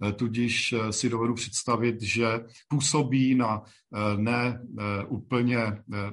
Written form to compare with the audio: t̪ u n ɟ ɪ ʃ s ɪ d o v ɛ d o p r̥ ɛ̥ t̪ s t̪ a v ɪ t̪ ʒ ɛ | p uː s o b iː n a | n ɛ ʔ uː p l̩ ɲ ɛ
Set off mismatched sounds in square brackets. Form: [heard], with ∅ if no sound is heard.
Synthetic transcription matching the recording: t̪ u [∅] ɟ ɪ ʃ s ɪ d o v ɛ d [u] p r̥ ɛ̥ t̪ s t̪ a v ɪ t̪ ʒ ɛ | p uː s o b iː n a | n ɛ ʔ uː p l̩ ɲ ɛ